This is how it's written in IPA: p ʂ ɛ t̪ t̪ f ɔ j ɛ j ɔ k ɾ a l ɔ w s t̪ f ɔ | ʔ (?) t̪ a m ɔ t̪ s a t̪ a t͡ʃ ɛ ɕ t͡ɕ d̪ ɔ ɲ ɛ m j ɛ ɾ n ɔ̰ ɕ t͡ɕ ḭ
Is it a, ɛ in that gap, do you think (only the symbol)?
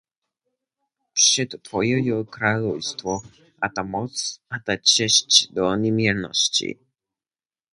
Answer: a